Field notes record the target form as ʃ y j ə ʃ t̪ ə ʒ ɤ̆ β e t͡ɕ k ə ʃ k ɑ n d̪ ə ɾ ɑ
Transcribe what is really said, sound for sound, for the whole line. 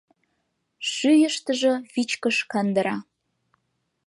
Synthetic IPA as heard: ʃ y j ə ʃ t̪ ə ʒ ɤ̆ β i t͡ɕ k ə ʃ k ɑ n d̪ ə ɾ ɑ